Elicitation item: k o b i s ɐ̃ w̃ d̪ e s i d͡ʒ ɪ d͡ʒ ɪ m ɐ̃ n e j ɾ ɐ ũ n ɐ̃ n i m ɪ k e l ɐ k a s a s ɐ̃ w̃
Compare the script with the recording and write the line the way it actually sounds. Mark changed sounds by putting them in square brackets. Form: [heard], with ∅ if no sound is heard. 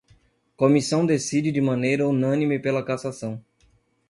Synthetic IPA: k o [m] i s ɐ̃ w̃ d̪ e s i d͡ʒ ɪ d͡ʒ ɪ m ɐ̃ n e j ɾ ɐ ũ n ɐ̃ n i m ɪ [p] e l ɐ k a s a s ɐ̃ w̃